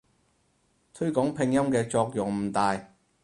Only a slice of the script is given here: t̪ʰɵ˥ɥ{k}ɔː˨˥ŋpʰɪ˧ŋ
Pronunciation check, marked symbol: correct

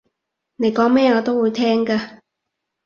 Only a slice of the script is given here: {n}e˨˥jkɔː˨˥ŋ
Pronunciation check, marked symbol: correct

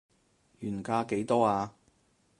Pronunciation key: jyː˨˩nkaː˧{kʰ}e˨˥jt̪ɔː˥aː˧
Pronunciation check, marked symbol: incorrect: k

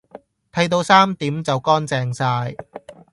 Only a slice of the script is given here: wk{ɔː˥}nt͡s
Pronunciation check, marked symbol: correct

